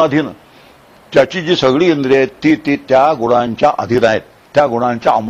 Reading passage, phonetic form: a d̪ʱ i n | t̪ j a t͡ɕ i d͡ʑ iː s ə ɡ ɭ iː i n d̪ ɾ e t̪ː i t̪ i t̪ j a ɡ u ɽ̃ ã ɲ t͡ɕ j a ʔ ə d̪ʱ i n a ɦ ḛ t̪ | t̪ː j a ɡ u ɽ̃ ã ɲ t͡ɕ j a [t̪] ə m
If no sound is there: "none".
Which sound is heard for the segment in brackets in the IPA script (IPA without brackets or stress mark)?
none